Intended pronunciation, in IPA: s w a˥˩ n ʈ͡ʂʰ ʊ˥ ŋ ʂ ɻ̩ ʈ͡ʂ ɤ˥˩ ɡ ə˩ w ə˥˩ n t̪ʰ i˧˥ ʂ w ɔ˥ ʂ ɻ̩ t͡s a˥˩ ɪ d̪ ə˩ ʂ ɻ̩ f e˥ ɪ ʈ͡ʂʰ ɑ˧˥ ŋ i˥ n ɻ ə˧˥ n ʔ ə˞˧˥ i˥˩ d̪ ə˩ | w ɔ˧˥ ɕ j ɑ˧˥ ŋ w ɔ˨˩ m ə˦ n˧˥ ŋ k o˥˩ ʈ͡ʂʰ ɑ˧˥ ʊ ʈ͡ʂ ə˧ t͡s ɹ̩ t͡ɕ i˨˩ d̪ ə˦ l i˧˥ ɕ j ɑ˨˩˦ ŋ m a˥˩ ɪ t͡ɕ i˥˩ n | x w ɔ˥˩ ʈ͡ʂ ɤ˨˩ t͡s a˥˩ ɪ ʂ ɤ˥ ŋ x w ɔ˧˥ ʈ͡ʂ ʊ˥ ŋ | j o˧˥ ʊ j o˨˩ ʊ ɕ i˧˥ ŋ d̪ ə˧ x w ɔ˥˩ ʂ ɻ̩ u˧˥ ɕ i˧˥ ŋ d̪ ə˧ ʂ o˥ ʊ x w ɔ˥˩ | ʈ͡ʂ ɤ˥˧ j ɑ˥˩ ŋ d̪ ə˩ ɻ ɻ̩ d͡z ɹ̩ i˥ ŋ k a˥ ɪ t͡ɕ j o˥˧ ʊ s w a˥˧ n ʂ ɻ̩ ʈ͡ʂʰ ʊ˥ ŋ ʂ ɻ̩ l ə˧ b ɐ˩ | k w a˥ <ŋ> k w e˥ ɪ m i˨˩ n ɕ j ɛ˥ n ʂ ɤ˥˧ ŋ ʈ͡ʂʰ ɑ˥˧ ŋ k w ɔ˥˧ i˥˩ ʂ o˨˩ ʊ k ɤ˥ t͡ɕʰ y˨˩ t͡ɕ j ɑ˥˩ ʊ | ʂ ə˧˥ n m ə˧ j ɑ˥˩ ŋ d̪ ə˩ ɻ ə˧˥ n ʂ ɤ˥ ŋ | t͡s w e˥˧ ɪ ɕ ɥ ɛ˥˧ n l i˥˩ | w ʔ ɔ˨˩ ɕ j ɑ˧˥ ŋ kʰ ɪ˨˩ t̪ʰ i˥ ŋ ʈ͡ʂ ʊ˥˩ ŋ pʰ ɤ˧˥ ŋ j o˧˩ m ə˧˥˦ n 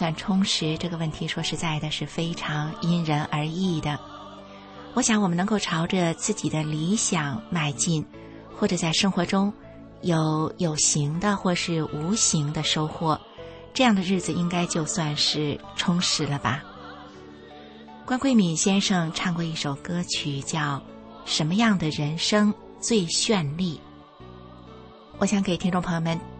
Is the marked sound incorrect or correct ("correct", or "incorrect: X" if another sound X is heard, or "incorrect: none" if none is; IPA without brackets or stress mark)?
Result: incorrect: n